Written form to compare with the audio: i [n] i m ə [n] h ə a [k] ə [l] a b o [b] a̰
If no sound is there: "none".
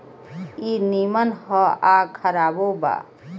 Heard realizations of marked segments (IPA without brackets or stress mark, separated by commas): n, n, kʰ, ɾ, b